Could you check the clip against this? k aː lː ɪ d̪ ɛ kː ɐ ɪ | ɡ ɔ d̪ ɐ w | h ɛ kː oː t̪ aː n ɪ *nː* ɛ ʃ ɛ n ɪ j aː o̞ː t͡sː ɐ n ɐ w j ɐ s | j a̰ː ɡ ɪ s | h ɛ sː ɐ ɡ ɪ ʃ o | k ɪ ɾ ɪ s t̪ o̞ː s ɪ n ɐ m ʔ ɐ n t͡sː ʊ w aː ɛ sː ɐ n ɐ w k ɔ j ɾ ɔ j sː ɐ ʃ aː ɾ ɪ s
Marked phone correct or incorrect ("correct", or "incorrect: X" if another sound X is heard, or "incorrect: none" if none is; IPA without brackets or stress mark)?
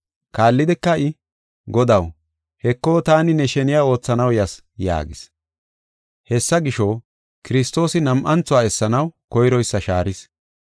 incorrect: n